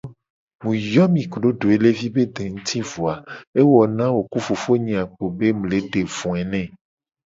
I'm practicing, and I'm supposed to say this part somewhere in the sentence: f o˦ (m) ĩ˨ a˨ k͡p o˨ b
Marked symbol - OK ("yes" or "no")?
no